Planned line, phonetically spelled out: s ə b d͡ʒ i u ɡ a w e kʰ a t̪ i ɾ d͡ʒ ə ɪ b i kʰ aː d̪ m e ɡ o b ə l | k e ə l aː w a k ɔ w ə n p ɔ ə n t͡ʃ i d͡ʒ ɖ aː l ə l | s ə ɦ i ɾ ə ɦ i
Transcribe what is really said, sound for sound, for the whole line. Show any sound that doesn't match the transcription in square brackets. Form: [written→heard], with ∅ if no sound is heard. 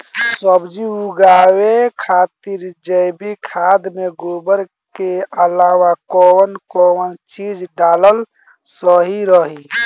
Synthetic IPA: s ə b d͡ʒ i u ɡ a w e kʰ a t̪ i ɾ d͡ʒ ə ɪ b i kʰ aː d̪ m e ɡ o b ə [l→ɾ] | k e ə l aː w a k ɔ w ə n [p→k] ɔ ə n t͡ʃ i d͡ʒ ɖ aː l ə l | s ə ɦ i ɾ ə ɦ i

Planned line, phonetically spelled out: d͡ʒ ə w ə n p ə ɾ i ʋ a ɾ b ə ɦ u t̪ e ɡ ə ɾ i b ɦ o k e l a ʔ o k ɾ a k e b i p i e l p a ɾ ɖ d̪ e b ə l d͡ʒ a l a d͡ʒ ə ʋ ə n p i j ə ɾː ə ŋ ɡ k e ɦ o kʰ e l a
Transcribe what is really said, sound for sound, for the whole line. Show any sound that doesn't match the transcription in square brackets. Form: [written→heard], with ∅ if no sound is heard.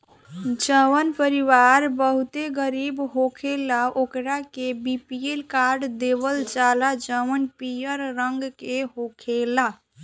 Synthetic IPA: d͡ʒ ə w ə n p ə ɾ i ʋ a ɾ b ə ɦ u t̪ e ɡ ə ɾ i b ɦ o [k→kʰ] e l a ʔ o k ɾ a k e b i p i e l [p→k] a ɾ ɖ d̪ e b ə l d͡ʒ a l a d͡ʒ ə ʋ ə n p i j ə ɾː ə ŋ ɡ k e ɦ o kʰ e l a

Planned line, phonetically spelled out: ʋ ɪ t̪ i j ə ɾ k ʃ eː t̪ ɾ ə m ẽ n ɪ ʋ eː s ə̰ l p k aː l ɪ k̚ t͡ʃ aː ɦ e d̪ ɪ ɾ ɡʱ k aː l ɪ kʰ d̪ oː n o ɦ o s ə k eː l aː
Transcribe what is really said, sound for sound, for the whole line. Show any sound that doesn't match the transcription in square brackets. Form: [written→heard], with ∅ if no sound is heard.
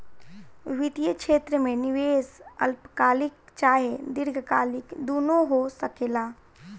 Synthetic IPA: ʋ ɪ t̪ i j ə [ɾ→∅] k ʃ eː t̪ ɾ ə m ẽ n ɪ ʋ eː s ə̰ l p k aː l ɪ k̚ t͡ʃ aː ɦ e d̪ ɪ ɾ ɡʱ k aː l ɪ [kʰ→k] d̪ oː n o ɦ o s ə k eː l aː

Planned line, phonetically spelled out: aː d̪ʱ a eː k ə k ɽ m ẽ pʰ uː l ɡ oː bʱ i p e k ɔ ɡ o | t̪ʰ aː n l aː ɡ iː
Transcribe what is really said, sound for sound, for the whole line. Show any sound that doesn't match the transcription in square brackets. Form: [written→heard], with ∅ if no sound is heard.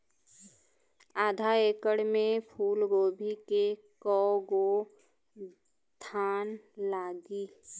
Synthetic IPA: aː d̪ʱ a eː k ə [k→∅] ɽ m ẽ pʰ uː l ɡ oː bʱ i [p→k] e k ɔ ɡ o | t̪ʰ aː n l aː ɡ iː

